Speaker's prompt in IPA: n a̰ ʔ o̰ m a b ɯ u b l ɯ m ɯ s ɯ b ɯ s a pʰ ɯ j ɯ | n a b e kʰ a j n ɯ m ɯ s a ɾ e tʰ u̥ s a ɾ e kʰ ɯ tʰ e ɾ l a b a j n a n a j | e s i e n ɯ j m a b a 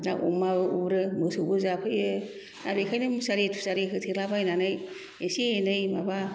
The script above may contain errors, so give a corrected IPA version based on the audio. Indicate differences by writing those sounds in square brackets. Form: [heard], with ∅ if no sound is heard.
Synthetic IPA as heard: n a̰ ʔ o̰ m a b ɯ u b [ɾ] ɯ m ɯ s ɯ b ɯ [z] a pʰ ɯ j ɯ | n a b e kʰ a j n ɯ m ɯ s a ɾ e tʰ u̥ s a ɾ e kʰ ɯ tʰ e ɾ l a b a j n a n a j | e s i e n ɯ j m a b a